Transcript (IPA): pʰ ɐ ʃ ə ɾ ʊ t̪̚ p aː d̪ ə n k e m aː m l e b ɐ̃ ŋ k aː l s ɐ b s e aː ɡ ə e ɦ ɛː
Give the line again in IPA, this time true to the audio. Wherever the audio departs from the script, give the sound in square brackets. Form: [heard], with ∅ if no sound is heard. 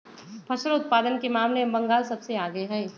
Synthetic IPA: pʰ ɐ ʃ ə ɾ ʊ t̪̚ p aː d̪ ə n k e m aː m l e b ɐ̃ ŋ [ɡ] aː l s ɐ b s e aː ɡ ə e ɦ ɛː